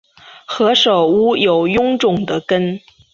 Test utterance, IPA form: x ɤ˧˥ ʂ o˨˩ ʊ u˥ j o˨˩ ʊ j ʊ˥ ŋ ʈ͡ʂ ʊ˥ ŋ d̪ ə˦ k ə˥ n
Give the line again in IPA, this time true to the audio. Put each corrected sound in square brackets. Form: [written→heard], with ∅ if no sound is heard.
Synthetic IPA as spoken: x ɤ˧˥ ʂ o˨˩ ʊ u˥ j o˨˩ ʊ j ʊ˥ ŋ ʈ͡ʂ [ʊ˥→ʊ˨˩] ŋ d̪ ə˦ k ə˥ n